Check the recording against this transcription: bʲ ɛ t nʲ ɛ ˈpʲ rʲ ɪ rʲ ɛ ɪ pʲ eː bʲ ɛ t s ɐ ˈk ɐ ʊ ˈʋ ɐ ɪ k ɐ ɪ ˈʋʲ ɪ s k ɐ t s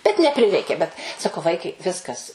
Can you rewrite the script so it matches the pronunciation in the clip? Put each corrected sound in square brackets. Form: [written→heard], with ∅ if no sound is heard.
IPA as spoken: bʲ ɛ t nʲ ɛ ˈpʲ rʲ ɪ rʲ ɛ ɪ [pʲ→kʲ] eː bʲ ɛ t s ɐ ˈk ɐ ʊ ˈʋ ɐ ɪ k ɐ ɪ ˈʋʲ ɪ s k ɐ [t→∅] s